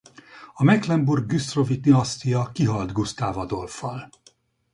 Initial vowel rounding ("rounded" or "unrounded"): rounded